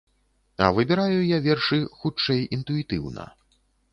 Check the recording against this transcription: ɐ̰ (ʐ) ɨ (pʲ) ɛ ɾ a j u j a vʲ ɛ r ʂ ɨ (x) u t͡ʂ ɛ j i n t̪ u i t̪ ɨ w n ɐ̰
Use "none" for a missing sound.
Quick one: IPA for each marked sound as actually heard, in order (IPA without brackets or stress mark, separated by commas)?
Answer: v, bʲ, x